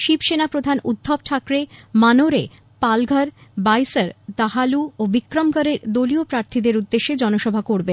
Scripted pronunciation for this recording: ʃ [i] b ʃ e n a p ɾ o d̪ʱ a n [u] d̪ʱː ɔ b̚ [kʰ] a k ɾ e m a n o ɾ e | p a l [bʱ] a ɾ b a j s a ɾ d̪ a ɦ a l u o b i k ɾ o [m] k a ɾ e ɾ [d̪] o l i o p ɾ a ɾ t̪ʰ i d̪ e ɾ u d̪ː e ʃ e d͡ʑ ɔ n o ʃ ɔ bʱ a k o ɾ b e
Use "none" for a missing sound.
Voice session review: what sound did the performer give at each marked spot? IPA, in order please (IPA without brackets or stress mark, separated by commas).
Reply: i, u, ʈʰ, ɡʱ, m, d̪